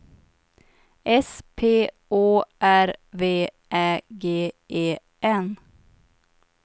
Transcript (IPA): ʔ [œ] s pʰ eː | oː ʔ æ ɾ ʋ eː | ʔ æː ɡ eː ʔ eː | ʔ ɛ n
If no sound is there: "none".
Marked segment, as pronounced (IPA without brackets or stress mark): ɛ